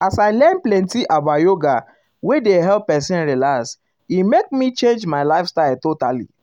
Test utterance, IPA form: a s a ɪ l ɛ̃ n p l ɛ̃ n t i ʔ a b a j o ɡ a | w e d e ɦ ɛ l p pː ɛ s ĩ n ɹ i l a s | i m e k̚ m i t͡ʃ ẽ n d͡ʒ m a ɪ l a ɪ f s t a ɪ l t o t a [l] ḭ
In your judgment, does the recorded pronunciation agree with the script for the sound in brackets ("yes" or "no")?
yes